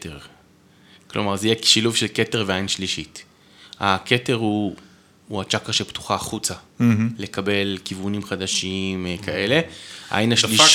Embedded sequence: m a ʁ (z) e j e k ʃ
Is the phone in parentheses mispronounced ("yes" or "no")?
no